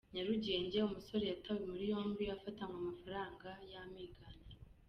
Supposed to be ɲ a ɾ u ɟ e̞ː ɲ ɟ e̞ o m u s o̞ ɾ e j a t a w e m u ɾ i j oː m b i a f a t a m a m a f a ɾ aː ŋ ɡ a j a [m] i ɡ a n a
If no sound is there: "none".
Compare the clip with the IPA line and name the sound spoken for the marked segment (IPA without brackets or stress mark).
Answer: m